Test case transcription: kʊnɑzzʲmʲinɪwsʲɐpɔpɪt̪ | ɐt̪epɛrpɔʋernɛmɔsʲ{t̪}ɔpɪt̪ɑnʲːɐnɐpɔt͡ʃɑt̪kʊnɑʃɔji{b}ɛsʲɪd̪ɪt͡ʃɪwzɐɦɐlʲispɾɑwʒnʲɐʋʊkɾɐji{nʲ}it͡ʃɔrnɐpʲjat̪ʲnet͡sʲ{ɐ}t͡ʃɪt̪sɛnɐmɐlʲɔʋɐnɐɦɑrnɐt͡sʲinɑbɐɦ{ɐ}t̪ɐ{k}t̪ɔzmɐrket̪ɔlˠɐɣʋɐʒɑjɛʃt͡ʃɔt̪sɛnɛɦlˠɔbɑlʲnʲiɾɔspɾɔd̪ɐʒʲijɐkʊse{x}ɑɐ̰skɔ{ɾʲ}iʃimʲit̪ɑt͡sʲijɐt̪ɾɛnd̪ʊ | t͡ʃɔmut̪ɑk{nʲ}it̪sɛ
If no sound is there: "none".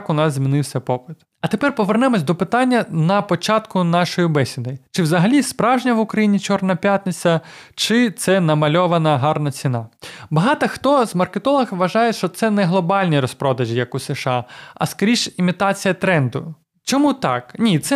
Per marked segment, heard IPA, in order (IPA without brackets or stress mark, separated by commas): d̪, b, nʲ, ɐ, ɑ, x, ʃ, ɾʲ, nʲ